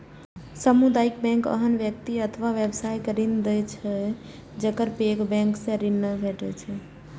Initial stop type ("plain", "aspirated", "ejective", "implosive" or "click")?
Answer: plain